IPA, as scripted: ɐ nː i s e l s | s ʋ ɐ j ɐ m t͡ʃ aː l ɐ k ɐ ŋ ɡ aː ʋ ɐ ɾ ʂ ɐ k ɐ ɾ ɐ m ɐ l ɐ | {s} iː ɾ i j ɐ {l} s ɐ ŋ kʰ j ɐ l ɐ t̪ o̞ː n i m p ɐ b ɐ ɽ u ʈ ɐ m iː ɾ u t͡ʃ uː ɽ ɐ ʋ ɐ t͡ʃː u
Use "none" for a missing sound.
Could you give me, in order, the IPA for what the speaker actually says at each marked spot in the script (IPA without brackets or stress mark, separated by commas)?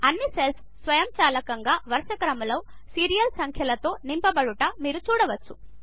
s, l